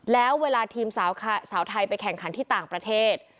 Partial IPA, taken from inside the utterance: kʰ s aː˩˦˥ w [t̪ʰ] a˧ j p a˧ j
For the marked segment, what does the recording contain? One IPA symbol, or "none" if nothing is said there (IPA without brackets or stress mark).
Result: t̪ʰ